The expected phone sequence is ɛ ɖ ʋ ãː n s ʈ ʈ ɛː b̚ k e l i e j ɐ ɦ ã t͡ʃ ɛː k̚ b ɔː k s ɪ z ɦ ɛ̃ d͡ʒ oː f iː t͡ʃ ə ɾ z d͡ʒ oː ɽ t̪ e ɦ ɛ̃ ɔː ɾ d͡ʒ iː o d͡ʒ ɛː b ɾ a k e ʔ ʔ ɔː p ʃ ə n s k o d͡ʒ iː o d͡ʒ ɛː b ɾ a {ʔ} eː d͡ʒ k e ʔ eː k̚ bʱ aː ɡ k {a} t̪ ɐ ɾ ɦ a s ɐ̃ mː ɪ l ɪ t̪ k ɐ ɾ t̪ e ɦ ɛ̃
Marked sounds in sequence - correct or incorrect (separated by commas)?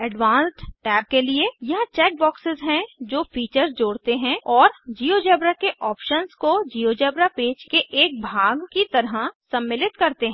incorrect, incorrect